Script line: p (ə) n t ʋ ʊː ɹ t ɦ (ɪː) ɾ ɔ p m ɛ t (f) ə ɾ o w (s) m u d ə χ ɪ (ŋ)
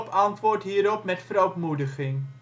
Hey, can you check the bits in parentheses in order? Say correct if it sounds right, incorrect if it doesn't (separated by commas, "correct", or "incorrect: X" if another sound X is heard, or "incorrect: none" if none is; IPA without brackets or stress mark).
incorrect: ɑ, incorrect: iː, correct, incorrect: t, correct